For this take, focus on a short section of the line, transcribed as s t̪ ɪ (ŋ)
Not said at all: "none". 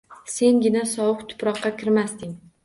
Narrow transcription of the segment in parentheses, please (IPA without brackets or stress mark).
ŋ